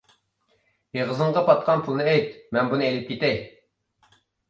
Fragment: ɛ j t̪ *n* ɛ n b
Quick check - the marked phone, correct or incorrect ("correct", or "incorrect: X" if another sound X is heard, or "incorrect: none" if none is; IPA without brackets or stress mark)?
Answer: incorrect: m